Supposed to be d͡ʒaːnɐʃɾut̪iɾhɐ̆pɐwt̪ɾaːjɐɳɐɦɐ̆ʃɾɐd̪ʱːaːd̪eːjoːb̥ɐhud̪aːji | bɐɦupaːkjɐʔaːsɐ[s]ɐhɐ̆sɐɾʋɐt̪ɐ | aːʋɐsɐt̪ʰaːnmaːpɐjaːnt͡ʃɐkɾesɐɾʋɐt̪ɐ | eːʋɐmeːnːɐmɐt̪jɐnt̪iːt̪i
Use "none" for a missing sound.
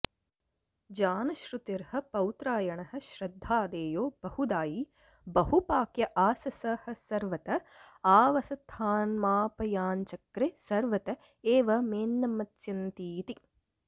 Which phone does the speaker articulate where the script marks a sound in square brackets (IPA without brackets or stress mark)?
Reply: s